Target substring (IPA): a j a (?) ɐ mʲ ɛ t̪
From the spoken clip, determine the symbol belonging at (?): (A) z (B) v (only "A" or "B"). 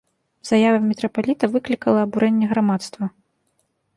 B